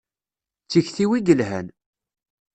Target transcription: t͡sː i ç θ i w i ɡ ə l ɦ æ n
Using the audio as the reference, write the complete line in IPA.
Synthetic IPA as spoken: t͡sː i ç θ i w i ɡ ə l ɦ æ n